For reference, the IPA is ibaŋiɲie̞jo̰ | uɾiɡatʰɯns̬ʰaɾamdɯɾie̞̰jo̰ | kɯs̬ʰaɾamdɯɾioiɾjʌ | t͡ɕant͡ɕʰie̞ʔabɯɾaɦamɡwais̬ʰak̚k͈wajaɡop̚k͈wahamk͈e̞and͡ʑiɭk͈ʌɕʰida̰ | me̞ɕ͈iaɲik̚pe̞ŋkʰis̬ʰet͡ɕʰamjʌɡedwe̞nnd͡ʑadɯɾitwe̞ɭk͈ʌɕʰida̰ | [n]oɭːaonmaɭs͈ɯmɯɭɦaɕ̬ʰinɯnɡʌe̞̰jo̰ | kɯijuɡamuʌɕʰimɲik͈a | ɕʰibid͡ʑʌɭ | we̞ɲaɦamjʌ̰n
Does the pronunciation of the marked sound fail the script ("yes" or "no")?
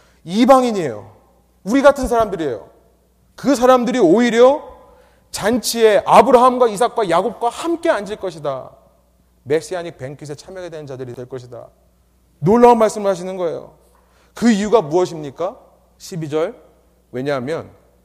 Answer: no